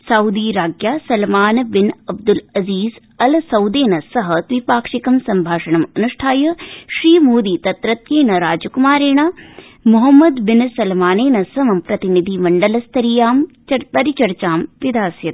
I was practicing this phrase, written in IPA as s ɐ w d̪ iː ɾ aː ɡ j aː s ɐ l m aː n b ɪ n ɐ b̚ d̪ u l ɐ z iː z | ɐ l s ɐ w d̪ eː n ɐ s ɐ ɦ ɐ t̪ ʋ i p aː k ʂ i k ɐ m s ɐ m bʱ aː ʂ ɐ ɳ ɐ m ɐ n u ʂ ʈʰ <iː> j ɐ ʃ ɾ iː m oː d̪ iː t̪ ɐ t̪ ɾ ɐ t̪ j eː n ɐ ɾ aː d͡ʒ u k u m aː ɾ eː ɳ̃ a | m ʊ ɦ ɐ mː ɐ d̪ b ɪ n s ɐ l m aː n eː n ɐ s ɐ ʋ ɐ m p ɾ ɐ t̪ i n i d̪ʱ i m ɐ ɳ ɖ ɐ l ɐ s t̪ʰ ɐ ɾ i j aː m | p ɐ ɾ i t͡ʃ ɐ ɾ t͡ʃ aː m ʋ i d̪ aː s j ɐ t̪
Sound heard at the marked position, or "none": aː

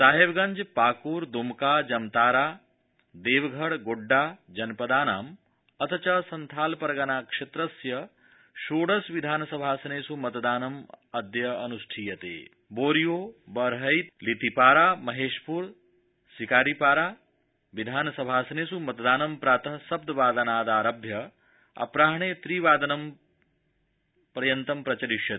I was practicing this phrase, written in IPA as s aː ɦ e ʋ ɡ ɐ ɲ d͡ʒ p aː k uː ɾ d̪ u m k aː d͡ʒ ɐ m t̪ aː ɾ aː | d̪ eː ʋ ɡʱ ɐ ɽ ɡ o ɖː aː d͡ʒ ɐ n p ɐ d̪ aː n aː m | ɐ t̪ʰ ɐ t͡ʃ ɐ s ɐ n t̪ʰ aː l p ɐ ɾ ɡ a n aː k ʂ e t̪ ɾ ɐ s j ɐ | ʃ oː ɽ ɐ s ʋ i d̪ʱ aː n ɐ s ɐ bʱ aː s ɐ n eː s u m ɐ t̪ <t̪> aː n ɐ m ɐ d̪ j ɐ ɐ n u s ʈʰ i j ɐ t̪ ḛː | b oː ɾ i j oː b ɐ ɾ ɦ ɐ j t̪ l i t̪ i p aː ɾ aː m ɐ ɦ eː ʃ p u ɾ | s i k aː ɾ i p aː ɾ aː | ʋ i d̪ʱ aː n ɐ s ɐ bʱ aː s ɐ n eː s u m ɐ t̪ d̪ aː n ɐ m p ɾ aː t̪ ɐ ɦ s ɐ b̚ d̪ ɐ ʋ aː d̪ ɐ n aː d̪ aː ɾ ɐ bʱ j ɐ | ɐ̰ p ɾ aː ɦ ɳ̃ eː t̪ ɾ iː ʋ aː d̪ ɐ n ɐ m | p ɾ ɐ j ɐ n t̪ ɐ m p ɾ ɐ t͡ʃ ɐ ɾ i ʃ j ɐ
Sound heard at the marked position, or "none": d̪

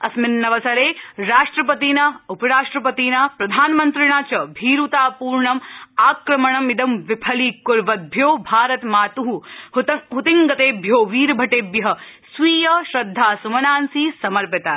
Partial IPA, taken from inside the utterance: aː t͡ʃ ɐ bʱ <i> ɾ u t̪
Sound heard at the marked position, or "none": iː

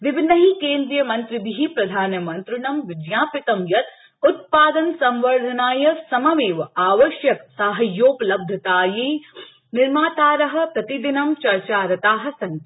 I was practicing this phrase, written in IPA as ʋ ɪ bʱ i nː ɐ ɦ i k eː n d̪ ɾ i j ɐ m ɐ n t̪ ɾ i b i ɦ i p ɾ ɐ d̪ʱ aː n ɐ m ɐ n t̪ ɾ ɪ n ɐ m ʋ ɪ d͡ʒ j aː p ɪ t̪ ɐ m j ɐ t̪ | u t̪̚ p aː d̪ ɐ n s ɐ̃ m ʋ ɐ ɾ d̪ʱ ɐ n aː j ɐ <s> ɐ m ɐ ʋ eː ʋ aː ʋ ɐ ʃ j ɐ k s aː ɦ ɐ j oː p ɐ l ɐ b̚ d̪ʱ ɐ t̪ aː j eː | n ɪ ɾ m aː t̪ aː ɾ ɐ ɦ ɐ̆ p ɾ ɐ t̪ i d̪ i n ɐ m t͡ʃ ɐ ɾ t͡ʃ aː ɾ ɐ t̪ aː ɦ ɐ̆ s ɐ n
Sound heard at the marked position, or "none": s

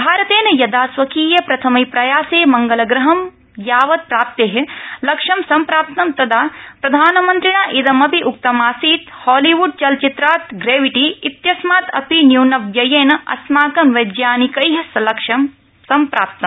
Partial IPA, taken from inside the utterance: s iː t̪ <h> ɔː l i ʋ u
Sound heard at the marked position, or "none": h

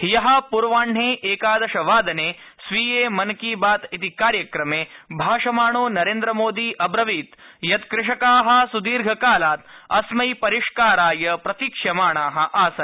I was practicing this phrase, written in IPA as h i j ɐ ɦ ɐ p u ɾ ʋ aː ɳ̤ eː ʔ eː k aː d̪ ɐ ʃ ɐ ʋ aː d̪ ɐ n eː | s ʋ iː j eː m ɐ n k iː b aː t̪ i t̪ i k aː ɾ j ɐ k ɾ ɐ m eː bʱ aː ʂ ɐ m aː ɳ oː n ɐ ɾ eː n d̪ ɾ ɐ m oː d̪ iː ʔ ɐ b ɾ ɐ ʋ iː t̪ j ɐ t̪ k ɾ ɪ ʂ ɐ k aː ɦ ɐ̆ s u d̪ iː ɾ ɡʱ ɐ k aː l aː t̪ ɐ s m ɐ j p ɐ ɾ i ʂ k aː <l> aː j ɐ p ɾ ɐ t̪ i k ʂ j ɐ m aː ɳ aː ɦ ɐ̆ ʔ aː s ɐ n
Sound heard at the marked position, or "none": ɾ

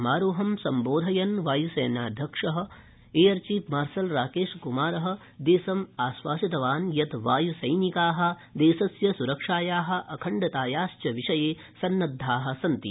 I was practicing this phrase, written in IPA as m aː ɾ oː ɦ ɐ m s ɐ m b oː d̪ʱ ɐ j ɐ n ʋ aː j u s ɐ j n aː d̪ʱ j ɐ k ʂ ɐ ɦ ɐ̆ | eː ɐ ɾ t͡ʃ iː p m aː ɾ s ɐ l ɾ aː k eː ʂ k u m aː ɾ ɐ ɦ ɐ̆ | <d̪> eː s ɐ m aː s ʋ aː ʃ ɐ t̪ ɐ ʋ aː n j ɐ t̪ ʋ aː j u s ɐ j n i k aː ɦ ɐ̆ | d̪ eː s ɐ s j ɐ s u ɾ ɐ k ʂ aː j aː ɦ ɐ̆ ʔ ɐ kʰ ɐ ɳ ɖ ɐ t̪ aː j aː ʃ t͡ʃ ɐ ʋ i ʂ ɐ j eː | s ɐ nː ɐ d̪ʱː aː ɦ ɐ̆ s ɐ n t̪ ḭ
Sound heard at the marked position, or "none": d̪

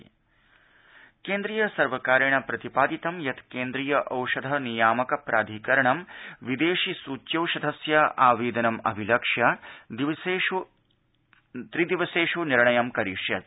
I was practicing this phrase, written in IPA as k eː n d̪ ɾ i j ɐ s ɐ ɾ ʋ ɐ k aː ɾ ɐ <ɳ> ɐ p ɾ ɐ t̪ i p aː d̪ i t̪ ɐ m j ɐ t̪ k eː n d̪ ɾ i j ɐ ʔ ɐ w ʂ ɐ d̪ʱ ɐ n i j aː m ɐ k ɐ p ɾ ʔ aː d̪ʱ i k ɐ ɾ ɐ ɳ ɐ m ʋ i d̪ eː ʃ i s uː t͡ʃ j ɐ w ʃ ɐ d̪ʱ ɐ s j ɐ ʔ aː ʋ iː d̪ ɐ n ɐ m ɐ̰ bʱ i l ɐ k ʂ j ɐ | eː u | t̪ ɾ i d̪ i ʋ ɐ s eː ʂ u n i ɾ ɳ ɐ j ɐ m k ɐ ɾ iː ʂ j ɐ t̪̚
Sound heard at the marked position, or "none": ɳ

